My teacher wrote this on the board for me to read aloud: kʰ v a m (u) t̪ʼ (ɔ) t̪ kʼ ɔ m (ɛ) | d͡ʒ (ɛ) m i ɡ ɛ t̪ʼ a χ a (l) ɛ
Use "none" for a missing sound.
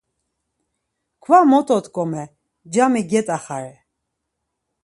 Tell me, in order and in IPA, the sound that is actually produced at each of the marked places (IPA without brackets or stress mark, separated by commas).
ɔ, ɔ, ɛ, a, ɾ